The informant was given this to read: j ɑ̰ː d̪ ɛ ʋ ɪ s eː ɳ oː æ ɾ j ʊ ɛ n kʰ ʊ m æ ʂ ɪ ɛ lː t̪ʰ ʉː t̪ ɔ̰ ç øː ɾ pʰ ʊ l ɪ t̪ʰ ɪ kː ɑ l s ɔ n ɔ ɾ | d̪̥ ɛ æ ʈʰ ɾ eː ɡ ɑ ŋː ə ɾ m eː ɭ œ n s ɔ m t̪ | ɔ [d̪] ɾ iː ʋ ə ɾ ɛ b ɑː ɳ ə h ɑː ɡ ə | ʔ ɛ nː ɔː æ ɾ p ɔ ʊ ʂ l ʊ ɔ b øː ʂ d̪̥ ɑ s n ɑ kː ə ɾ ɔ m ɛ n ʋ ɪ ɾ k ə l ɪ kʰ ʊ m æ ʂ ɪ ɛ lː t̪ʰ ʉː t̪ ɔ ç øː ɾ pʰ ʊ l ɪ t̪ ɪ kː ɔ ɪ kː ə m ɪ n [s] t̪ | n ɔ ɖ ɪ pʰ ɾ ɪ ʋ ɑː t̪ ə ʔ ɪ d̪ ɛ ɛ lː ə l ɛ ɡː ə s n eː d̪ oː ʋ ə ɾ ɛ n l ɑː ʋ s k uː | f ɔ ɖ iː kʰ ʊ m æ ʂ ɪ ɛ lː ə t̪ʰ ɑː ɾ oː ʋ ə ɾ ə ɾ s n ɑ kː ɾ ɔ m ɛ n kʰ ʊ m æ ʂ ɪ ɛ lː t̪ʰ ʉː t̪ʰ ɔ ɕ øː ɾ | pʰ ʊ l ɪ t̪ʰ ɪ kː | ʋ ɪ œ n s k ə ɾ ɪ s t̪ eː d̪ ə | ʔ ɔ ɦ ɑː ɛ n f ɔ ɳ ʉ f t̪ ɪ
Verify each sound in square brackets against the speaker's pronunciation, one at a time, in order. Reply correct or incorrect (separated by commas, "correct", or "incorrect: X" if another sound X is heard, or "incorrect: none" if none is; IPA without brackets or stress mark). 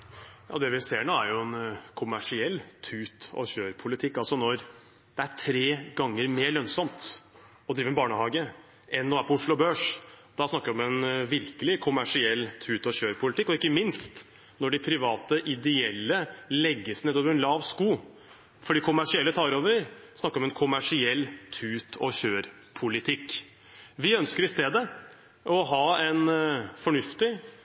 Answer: correct, correct